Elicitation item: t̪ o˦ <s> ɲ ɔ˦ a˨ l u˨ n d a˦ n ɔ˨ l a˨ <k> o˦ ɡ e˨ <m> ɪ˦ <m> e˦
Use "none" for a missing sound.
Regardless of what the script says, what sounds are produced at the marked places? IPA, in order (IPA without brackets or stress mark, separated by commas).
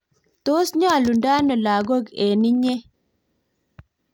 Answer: s, ɡ, n, ɲ